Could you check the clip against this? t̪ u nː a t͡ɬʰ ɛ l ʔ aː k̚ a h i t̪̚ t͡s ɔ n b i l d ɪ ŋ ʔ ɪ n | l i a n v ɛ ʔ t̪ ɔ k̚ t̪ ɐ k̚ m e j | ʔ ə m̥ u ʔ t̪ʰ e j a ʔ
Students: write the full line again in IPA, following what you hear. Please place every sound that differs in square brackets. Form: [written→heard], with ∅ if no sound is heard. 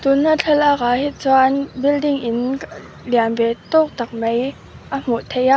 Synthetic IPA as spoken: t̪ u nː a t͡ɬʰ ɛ l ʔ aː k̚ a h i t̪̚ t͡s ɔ n b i l d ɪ ŋ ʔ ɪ n | l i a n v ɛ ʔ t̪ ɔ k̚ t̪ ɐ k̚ m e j | ʔ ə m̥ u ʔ t̪ʰ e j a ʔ